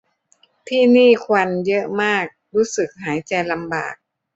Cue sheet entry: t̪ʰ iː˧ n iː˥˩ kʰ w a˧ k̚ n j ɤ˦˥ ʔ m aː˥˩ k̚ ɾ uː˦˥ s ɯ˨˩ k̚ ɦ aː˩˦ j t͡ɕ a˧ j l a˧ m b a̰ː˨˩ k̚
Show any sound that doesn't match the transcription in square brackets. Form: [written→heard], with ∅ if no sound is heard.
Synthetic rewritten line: t̪ʰ [iː˧→iː˥˩] n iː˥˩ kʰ w a˧ [k̚→∅] n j ɤ˦˥ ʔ m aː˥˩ k̚ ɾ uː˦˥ s ɯ˨˩ k̚ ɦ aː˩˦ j t͡ɕ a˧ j l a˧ m b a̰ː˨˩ k̚